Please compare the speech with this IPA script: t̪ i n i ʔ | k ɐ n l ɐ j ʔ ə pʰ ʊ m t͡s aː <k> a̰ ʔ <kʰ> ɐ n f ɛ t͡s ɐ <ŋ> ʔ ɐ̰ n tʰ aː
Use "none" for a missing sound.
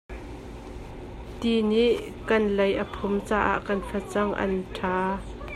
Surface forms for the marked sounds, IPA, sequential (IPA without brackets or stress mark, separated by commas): ʔ, k, ŋ